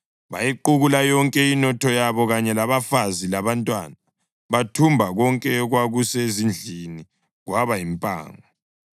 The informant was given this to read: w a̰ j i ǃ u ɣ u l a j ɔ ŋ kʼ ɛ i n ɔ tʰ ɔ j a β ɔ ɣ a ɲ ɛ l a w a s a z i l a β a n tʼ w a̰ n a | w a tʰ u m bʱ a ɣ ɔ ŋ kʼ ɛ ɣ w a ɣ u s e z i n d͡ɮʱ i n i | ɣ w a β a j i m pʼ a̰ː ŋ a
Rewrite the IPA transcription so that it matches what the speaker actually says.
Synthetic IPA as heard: β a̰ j i ǃ u ɣ u l a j ɔ ŋ kʼ ɛ i n ɔ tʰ ɔ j a β ɔ ɣ a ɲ ɛ l a β a f a z i l a β a n tʼ w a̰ n a | β a tʰ u m bʱ a ɣ ɔ ŋ kʼ ɛ ɣ w a ɣ u s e z i n d͡ɮʱ i n i | ɣ w a β a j i m pʼ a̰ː ŋ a